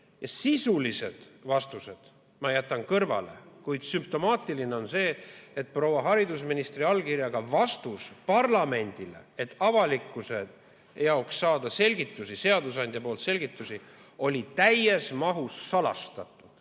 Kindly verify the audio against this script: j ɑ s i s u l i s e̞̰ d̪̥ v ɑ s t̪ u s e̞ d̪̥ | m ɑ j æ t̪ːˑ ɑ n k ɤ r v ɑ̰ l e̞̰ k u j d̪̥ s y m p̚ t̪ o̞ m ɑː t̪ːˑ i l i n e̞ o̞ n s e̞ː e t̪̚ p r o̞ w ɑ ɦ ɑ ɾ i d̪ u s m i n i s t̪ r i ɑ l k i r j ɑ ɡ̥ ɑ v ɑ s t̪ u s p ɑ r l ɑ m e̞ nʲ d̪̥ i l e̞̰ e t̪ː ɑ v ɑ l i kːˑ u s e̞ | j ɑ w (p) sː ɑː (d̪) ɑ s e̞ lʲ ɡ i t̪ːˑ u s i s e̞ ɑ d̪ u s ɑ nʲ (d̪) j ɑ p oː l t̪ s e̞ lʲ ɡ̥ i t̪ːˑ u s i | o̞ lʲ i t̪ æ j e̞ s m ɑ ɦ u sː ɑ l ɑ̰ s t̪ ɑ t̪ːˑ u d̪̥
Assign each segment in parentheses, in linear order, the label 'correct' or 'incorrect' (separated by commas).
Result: incorrect, correct, correct